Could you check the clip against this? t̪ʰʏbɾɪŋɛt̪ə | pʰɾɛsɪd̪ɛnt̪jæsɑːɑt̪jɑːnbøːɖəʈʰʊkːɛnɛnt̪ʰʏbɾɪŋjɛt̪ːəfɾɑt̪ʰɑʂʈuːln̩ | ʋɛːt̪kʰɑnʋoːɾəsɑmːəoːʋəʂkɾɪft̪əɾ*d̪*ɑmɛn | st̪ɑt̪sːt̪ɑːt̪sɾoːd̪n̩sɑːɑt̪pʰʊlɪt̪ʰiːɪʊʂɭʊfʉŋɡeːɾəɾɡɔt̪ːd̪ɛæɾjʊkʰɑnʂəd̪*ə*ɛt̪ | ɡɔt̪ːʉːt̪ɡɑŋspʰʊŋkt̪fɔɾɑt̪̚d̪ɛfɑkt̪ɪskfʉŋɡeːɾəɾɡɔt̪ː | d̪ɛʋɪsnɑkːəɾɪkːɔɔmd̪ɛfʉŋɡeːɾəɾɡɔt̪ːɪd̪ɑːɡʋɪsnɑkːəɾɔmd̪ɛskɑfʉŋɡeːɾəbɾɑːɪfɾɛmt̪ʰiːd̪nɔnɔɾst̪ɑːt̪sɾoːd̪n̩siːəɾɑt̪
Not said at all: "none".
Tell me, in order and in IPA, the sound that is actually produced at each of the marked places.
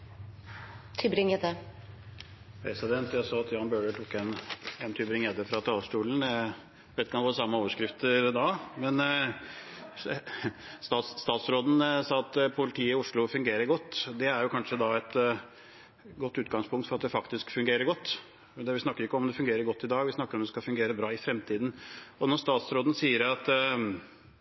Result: d̪, ɑ

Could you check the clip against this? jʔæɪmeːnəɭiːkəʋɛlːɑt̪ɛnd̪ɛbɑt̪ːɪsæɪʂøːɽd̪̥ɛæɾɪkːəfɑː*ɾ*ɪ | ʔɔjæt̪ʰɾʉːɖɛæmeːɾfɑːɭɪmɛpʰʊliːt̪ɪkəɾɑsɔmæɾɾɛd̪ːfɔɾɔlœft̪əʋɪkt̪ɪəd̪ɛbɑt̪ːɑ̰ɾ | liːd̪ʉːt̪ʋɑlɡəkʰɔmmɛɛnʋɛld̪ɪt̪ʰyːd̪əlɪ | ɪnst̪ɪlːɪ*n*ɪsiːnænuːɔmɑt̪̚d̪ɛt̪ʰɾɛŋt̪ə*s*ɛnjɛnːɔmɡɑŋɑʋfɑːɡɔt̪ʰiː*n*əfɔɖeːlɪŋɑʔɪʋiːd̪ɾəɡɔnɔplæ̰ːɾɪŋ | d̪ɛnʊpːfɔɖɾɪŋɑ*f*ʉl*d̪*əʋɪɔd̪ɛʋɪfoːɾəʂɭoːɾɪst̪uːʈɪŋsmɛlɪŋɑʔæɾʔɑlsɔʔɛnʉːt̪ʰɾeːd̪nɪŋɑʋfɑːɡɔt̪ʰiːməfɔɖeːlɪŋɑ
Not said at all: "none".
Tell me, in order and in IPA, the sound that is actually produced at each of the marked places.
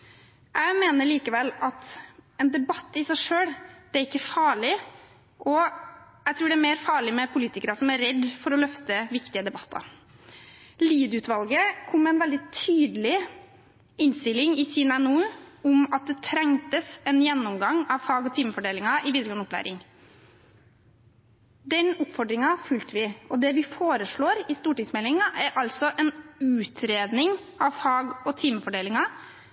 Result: ɭ, ŋ, s, m, f, t̪

